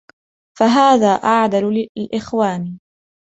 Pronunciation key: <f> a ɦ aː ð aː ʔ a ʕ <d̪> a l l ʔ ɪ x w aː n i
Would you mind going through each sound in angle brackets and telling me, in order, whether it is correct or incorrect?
correct, correct

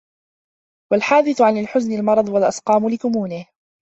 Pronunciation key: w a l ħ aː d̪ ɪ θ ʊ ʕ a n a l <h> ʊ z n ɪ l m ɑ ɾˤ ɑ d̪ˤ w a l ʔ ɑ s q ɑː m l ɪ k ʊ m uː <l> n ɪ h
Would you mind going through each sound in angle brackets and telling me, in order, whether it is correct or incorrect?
incorrect, incorrect

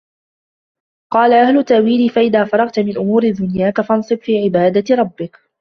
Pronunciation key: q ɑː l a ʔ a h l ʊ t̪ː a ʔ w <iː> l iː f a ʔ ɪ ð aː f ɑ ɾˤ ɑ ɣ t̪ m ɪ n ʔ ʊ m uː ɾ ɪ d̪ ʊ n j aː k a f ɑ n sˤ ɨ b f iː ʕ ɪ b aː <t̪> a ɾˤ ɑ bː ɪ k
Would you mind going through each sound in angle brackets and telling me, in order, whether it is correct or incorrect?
correct, incorrect

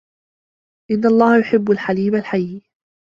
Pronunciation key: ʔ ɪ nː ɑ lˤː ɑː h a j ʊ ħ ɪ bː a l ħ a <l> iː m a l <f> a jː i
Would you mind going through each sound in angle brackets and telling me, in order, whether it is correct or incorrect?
correct, incorrect

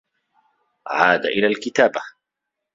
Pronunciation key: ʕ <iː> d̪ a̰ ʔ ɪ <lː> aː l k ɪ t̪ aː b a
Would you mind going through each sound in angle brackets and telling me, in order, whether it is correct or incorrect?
incorrect, incorrect

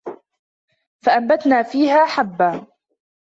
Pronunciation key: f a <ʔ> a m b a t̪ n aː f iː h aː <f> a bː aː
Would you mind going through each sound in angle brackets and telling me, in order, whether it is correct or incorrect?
correct, incorrect

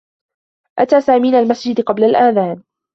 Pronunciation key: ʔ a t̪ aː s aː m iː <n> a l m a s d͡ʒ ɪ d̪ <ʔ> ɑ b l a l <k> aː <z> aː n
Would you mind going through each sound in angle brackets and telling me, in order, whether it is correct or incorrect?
correct, incorrect, incorrect, incorrect

